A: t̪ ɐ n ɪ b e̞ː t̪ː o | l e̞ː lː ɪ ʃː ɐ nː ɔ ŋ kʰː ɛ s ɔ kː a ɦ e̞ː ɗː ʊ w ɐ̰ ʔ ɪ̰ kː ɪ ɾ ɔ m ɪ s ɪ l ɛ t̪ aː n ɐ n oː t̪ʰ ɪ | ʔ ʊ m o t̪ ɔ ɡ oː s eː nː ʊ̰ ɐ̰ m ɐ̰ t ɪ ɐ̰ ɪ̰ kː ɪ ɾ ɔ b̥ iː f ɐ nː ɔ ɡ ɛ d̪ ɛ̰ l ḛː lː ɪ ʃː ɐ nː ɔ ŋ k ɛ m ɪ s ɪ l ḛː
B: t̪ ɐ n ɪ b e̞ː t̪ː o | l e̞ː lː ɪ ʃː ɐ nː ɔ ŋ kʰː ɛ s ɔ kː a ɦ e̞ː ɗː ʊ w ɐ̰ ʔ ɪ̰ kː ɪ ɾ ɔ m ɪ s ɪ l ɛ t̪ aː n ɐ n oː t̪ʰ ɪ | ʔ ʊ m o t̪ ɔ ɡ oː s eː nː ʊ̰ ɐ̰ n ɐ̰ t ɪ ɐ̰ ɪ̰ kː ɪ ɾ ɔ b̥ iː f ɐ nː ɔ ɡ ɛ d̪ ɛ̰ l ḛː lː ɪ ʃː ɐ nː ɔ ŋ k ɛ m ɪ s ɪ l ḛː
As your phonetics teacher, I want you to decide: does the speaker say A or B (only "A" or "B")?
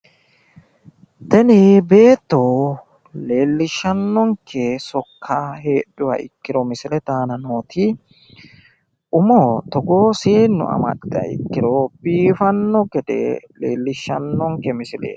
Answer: A